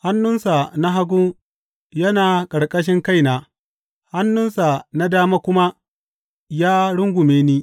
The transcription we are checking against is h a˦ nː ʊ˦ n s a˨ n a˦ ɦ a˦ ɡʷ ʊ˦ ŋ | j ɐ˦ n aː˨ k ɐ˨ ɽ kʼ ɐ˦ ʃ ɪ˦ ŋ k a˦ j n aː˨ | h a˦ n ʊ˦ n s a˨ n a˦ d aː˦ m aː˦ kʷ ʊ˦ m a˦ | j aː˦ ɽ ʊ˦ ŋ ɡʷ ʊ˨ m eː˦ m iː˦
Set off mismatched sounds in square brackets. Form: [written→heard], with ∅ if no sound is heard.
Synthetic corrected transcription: h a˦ nː ʊ˦ n s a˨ n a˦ ɦ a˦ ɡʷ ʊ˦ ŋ | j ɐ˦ n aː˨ [k→kʼ] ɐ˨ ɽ kʼ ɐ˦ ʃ ɪ˦ ŋ k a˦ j n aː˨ | h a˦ [n→nː] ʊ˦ n s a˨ n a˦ d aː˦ m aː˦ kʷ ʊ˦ m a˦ | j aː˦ ɽ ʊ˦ ŋ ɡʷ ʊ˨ m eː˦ [m→n] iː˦